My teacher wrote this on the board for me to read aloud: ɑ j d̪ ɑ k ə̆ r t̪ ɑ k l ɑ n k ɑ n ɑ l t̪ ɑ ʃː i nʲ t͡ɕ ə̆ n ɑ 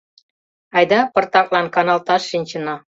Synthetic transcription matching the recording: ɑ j d̪ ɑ p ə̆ r t̪ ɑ k l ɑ n k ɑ n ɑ l t̪ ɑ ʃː i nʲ t͡ɕ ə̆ n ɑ